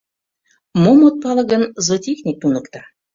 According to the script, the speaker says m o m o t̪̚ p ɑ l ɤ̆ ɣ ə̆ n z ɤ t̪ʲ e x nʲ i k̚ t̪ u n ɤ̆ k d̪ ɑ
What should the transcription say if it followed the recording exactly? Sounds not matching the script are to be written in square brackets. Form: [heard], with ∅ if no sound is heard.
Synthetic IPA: m o m o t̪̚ p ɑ l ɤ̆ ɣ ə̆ n z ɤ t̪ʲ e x nʲ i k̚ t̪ u n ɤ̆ k [t̪] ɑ